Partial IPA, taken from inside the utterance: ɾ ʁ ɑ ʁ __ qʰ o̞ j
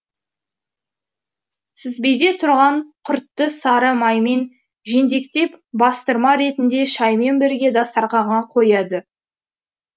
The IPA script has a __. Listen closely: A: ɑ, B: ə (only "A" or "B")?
A